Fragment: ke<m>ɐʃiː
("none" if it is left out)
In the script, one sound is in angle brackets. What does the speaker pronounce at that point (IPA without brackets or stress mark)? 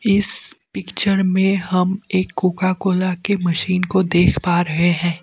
m